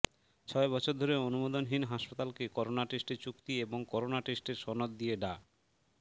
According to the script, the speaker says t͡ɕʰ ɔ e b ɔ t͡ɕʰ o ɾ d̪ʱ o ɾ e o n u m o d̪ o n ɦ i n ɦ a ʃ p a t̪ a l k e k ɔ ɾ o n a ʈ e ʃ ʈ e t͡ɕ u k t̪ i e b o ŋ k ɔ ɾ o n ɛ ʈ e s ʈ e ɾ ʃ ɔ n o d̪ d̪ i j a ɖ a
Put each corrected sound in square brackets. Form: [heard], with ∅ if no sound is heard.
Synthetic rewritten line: t͡ɕʰ ɔ e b ɔ t͡ɕʰ o ɾ d̪ʱ o ɾ e o n u m o d̪ o n ɦ i n ɦ a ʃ p a t̪ a l k e k ɔ ɾ o n a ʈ e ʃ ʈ e t͡ɕ u k t̪ i e b o ŋ k ɔ ɾ o n [a] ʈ e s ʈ e ɾ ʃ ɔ n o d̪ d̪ i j [e] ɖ a

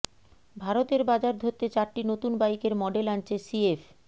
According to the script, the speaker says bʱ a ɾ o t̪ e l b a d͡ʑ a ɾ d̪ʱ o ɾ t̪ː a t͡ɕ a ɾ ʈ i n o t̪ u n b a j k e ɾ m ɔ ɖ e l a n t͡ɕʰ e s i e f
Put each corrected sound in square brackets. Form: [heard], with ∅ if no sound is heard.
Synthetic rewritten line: bʱ a ɾ o t̪ e [ɾ] b a d͡ʑ a ɾ d̪ʱ o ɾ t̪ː [e] t͡ɕ a ɾ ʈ i n o t̪ u n b a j k e ɾ m ɔ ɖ e l a n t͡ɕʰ e s i e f

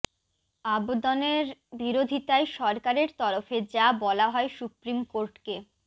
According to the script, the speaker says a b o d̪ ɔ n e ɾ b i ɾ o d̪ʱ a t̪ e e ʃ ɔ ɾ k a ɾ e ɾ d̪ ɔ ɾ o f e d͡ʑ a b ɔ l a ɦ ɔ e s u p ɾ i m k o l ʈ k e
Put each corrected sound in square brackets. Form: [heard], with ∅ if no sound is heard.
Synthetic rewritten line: a b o d̪ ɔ n e ɾ b i ɾ o d̪ʱ [i] t̪ [a] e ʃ ɔ ɾ k a ɾ e ɾ [t̪] ɔ ɾ o f e d͡ʑ a b ɔ l a ɦ ɔ e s u p ɾ i m k o [ɾ] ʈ k e

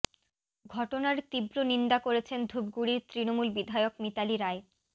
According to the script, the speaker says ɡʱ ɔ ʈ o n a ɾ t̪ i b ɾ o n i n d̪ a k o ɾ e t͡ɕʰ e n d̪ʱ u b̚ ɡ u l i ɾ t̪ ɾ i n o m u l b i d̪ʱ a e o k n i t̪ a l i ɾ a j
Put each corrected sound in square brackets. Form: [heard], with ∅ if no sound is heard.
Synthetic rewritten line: ɡʱ ɔ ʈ o n a ɾ t̪ i b ɾ o n i n d̪ a k o ɾ e t͡ɕʰ e n d̪ʱ u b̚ ɡ u [ɽ] i ɾ t̪ ɾ i n o m u l b i d̪ʱ a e o k [m] i t̪ a l i ɾ a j

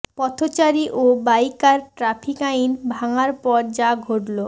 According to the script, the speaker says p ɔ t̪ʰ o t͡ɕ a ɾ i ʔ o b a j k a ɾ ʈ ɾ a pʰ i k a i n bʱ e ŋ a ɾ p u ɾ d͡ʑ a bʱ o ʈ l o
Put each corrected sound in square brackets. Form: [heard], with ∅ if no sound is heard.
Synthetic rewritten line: p ɔ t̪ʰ o t͡ɕ a ɾ i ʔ o b a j k a ɾ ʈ ɾ a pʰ i k a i n bʱ [a] ŋ a ɾ p [ɔ] ɾ d͡ʑ a [ɡʱ] o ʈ l o

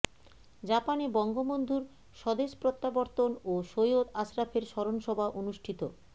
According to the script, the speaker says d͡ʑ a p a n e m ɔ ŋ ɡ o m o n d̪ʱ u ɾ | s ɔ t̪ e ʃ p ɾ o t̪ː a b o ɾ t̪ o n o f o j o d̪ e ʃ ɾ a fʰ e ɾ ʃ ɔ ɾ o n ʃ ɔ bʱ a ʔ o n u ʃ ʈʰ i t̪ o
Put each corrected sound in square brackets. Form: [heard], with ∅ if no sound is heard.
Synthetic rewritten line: d͡ʑ a p a n e [b] ɔ ŋ ɡ o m o n d̪ʱ u ɾ | [ʃ] ɔ [d̪] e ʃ p ɾ o t̪ː a b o ɾ t̪ o n o [ʃ] o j o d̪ [a] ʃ ɾ a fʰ e ɾ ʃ ɔ ɾ o n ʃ ɔ bʱ a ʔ o n u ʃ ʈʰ i t̪ o

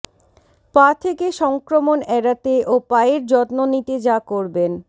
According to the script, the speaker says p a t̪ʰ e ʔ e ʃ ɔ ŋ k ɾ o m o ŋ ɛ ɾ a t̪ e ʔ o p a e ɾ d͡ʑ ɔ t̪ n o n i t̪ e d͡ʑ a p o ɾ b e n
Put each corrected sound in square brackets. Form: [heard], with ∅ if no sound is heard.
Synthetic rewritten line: p a t̪ʰ e [k] e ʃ ɔ ŋ k ɾ o m o [n] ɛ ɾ a t̪ e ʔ o p a e ɾ d͡ʑ ɔ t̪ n o n i t̪ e d͡ʑ a [k] o ɾ b e n

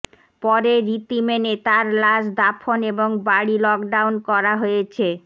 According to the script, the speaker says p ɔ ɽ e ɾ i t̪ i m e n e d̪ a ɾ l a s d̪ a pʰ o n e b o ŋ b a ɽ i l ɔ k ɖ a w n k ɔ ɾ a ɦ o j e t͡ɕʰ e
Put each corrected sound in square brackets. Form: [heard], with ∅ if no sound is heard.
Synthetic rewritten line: p ɔ [ɾ] e ɾ i t̪ i m e n e [t̪] a ɾ l a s d̪ a pʰ o n e b o ŋ b a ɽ i l ɔ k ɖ a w n k ɔ ɾ a ɦ o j e t͡ɕʰ e

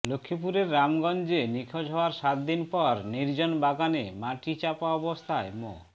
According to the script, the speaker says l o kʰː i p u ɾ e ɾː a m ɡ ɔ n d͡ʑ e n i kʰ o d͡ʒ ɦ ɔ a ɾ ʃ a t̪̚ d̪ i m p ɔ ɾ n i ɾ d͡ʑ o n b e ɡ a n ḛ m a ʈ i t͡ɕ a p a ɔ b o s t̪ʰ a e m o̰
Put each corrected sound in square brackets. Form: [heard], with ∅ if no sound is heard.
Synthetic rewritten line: l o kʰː i p u ɾ e ɾː a m ɡ ɔ n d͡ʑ e n i kʰ o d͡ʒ ɦ ɔ a ɾ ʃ a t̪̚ d̪ i [n] p ɔ ɾ n i ɾ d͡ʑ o n b [a] ɡ a n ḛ m a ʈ i t͡ɕ a p a ɔ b o s t̪ʰ a e m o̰

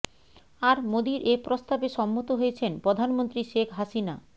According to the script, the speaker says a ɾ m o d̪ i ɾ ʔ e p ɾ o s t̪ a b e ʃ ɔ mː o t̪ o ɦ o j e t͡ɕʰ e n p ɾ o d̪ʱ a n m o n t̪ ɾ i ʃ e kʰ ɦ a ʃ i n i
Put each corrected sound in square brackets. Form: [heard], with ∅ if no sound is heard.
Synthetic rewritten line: a ɾ m o d̪ i ɾ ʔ e p ɾ o s t̪ a b e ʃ ɔ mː o t̪ o ɦ o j e t͡ɕʰ e n p ɾ o d̪ʱ a n m o n t̪ ɾ i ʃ e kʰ ɦ a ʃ i n [a]

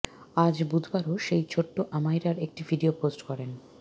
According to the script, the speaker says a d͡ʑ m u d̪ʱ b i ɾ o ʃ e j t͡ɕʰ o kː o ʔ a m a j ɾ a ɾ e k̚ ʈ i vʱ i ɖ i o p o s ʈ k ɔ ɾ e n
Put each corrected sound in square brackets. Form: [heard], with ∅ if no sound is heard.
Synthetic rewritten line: a d͡ʑ [b] u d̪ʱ b [a] ɾ o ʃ e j t͡ɕʰ o [ʈː] o ʔ a m a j ɾ a ɾ e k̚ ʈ i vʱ i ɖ i o p o s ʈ k ɔ ɾ e n

